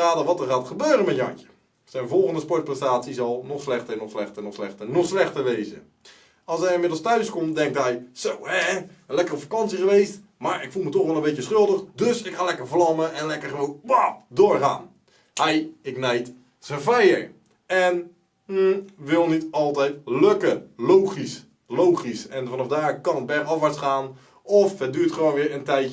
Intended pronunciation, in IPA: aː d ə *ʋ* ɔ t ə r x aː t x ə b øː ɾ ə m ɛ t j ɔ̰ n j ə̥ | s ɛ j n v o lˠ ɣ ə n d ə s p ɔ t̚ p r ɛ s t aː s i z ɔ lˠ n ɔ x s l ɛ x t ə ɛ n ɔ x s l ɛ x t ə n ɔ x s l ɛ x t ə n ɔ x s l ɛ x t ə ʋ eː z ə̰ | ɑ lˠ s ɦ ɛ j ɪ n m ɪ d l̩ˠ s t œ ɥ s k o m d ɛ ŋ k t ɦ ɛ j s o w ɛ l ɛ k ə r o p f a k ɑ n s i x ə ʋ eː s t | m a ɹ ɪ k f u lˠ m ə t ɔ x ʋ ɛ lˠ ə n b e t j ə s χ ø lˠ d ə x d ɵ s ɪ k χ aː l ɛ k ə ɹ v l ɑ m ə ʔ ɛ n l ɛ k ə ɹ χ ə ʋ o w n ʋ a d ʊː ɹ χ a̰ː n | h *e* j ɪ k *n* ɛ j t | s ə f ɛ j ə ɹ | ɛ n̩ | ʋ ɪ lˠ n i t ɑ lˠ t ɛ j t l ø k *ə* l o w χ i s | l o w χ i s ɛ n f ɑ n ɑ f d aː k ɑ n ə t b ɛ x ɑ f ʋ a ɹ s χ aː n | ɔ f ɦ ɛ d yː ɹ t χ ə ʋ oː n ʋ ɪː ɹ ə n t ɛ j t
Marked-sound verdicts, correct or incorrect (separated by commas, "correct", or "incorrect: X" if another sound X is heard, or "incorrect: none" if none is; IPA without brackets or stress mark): correct, incorrect: ɛ, correct, correct